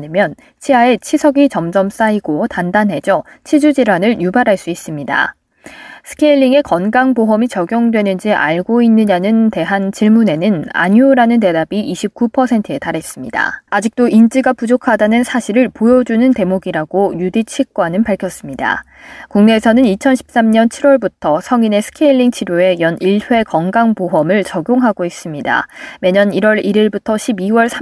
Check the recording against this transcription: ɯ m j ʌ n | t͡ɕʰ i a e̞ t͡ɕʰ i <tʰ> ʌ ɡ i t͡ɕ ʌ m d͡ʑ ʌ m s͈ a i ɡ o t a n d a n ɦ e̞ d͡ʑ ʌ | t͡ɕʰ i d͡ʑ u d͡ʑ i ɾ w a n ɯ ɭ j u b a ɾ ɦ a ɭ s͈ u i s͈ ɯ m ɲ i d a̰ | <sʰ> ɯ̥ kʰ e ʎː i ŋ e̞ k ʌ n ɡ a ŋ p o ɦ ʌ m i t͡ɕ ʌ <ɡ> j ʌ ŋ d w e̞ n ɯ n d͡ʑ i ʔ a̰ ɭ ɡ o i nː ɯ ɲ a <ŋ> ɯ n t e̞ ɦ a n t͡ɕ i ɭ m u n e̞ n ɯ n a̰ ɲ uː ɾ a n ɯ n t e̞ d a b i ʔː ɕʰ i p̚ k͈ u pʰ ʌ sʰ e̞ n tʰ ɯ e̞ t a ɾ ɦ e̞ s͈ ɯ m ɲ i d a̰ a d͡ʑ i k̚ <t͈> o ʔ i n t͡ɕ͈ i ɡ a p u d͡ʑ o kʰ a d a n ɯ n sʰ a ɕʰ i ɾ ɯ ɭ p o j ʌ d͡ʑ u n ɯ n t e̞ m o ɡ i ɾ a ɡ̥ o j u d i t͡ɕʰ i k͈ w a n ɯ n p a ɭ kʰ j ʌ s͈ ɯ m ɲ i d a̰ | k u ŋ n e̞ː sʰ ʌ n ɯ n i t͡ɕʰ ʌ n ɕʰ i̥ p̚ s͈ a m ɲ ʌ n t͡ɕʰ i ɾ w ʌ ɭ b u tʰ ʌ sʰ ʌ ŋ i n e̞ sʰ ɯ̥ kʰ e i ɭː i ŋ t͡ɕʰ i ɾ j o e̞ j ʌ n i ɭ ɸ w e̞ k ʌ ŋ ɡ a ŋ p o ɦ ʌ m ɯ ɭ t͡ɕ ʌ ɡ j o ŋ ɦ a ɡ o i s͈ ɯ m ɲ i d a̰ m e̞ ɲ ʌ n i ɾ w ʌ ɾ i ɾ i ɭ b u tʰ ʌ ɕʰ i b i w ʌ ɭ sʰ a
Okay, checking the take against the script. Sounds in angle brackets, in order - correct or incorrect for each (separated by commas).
incorrect, correct, correct, incorrect, correct